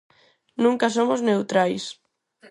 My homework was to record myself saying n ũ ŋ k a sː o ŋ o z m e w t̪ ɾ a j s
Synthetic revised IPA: n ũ ŋ k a s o m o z n e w t̪ ɾ a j s